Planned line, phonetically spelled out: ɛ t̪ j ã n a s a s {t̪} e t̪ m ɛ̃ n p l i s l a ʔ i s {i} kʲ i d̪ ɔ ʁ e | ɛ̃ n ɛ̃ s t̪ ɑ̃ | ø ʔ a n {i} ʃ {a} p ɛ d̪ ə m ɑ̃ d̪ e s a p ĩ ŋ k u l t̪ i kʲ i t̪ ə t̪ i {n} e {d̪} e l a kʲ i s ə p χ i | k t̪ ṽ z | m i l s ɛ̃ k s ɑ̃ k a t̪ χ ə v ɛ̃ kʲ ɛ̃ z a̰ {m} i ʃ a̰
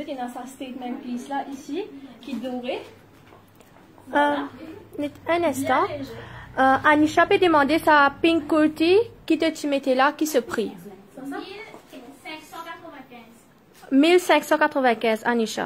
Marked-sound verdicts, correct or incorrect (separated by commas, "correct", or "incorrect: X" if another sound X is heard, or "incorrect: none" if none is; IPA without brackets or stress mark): correct, correct, correct, correct, incorrect: m, incorrect: t̪, incorrect: n